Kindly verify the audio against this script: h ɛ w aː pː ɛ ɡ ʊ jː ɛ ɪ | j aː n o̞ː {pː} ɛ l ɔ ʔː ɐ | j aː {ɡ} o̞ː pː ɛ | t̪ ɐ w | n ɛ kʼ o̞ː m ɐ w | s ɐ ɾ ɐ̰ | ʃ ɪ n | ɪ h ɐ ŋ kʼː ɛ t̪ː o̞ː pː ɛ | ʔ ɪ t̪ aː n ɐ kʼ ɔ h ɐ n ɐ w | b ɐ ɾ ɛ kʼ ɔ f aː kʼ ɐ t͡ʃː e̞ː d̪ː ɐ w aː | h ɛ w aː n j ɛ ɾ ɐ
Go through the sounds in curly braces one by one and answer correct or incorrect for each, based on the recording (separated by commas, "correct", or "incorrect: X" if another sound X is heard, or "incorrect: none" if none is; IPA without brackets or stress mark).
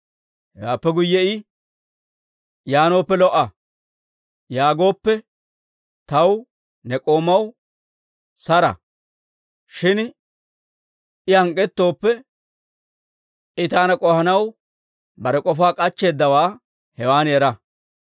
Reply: correct, correct